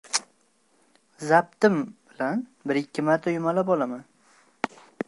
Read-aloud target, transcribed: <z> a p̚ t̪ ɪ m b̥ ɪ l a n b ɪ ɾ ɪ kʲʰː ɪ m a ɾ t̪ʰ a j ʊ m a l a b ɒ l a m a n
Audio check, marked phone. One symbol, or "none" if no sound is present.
z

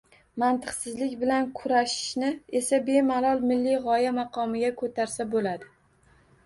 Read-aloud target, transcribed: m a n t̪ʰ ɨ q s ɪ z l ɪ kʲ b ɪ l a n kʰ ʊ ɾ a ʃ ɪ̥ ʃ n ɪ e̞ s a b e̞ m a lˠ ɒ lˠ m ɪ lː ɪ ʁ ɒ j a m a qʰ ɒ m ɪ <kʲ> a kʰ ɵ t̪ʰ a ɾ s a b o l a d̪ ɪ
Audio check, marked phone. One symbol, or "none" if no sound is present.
ɡʲ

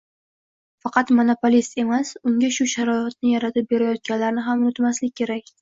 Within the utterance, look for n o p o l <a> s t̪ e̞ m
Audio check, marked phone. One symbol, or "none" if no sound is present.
i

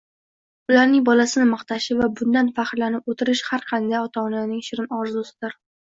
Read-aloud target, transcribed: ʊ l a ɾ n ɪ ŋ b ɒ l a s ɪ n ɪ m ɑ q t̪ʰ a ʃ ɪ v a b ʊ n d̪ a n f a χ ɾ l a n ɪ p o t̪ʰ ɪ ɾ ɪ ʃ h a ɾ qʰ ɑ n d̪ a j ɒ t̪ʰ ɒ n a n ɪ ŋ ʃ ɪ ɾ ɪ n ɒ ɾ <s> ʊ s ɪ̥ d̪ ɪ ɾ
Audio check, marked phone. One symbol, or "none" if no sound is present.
z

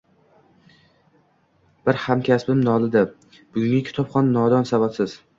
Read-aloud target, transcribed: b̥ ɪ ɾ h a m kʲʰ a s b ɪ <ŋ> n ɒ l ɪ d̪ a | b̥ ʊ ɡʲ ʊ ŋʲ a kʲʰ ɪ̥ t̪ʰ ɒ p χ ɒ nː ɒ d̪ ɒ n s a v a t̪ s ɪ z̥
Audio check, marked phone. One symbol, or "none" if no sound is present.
m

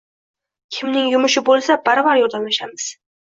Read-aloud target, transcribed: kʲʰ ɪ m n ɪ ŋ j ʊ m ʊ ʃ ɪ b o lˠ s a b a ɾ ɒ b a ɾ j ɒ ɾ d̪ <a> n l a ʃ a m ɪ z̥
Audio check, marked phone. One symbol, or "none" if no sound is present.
a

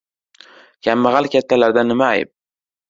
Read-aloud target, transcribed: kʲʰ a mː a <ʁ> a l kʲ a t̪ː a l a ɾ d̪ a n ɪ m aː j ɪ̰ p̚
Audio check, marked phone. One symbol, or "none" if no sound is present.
ʁ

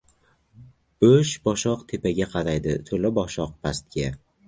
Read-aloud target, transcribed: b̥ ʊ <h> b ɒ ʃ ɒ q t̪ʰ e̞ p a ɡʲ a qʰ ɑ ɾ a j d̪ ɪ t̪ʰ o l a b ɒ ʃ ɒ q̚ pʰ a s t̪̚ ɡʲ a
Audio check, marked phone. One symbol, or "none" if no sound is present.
ʃ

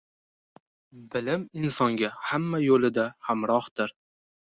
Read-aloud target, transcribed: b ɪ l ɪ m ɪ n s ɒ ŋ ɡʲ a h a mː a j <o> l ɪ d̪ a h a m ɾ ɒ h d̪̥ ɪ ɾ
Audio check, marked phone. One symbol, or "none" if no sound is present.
o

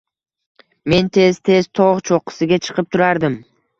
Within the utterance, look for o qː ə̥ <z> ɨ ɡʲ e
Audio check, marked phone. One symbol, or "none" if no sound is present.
s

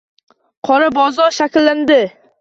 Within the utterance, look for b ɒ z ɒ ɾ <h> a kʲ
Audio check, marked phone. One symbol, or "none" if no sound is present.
ʃ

